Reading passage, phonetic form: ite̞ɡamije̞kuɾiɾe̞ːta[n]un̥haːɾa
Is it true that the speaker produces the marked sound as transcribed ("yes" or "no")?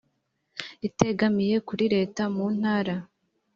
no